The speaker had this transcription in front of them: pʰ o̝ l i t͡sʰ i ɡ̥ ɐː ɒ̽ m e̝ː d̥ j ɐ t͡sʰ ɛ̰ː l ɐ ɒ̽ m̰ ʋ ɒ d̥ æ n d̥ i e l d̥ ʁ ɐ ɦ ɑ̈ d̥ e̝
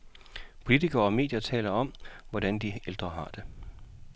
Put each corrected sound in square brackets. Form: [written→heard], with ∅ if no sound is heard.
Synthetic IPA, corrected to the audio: pʰ o̝ l i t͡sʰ i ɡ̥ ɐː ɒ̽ m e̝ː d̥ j ɐ t͡sʰ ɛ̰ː l ɐ ɒ̽ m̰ ʋ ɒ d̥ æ n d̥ i e l d̥ ʁ ɐ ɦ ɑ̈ d̥ e̝